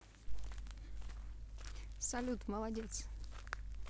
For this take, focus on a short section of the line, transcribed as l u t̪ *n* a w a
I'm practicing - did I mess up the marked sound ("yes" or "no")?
yes